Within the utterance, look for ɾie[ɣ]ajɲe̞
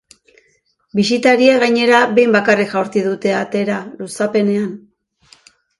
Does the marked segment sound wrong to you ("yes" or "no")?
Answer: no